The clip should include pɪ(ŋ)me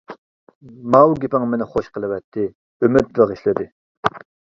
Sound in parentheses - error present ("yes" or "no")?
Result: no